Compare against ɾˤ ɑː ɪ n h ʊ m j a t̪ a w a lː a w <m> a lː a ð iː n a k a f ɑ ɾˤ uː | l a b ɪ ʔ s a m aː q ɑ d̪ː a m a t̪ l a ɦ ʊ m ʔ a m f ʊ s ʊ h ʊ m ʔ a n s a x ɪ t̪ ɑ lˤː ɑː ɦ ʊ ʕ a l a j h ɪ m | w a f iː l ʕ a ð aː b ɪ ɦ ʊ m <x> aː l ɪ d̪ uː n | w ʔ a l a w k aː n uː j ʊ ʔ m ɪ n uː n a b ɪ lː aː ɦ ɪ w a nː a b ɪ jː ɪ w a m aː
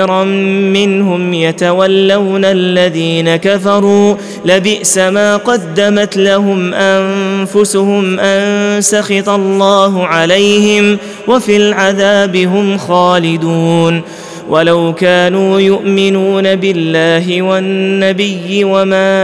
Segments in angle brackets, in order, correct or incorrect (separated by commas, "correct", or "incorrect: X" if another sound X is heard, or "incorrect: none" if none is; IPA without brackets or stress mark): incorrect: n, correct